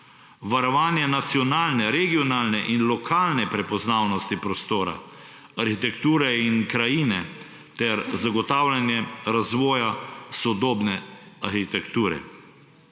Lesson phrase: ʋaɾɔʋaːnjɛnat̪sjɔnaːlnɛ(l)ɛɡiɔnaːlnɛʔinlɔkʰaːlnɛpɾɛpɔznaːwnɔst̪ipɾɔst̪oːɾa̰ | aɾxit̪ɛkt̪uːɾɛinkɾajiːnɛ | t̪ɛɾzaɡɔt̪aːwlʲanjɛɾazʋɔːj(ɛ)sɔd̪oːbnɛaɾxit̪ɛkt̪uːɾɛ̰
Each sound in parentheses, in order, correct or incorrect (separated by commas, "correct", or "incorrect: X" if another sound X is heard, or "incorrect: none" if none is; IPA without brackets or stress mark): incorrect: ɾ, incorrect: a